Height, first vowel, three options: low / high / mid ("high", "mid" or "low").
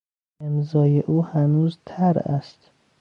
mid